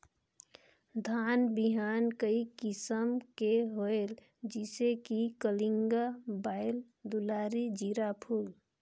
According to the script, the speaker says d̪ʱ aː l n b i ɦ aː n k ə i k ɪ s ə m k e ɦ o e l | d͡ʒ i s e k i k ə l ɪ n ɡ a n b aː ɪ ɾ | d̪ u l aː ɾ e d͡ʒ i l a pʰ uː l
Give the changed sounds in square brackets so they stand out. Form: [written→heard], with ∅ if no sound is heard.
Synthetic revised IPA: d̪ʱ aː [l→∅] n b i ɦ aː n k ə i k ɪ s ə m k e ɦ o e l | d͡ʒ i s e k i k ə l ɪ [n→ŋ] ɡ a [n→∅] b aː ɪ [ɾ→l] | d̪ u l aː ɾ [e→i] d͡ʒ i [l→ɾ] a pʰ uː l

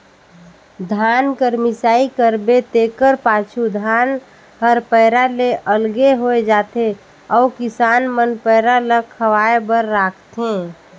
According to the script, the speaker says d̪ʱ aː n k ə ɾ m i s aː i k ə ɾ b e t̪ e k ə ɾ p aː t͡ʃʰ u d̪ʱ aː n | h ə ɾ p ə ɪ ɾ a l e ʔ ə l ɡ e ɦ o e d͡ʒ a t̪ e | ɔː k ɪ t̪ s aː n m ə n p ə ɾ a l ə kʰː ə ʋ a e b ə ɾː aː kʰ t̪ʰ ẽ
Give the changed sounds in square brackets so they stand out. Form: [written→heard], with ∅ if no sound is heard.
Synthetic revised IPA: d̪ʱ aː n k ə ɾ m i s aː i k ə ɾ b e t̪ e k ə ɾ p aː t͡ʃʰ u d̪ʱ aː n | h ə ɾ p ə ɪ ɾ a l e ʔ ə l ɡ e ɦ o e d͡ʒ a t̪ e | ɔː k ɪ [t̪→∅] s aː n m ə n p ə ɾ a l ə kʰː ə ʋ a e b ə ɾː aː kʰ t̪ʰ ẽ

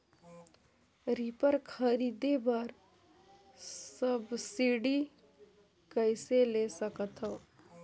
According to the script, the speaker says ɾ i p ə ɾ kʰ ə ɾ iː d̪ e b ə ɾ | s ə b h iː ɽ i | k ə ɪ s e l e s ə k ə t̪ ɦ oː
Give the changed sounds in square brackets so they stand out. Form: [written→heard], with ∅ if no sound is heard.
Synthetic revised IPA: ɾ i p ə ɾ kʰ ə ɾ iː d̪ e b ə ɾ | s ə b [h→s] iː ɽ i | k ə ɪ s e l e s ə k ə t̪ ɦ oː

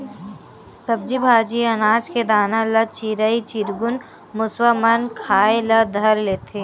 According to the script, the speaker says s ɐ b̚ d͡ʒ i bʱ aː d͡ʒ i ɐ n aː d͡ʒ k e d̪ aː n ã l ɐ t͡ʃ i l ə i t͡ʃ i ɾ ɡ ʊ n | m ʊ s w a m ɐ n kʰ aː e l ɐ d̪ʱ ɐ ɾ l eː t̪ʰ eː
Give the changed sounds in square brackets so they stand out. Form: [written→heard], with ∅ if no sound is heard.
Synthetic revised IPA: s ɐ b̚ d͡ʒ i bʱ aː d͡ʒ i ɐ n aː d͡ʒ k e d̪ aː n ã l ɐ t͡ʃ i [l→ɾ] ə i t͡ʃ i ɾ ɡ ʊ n | m ʊ s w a m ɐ n kʰ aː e l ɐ d̪ʱ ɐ ɾ l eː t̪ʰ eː

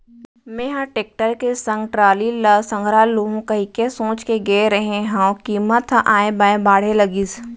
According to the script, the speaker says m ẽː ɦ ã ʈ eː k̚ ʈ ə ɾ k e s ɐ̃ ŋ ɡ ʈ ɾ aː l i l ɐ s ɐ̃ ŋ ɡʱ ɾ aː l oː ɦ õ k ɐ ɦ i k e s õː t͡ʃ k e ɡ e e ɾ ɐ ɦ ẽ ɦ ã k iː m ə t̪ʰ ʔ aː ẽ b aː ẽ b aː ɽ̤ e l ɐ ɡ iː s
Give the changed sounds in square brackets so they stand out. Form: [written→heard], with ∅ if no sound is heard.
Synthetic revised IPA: m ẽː ɦ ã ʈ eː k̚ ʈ ə ɾ k e s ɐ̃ ŋ ɡ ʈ ɾ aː l i l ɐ s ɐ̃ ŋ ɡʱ ɾ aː l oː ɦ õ k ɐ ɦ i k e s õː t͡ʃ k e ɡ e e ɾ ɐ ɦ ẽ ɦ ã k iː m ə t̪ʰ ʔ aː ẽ b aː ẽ b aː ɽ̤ e l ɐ ɡ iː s

